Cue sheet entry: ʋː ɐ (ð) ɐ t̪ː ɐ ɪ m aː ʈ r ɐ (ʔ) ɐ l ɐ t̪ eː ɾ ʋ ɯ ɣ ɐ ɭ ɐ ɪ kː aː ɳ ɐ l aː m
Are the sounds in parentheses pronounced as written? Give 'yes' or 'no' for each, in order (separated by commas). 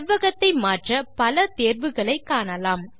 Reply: no, no